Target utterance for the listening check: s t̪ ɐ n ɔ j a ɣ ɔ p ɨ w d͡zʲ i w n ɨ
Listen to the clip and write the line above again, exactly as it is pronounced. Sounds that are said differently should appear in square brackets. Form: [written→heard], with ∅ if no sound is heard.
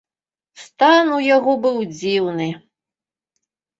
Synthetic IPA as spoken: s t̪ [ɐ→a] n [ɔ→u] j a ɣ ɔ [p→b] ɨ w d͡zʲ i w n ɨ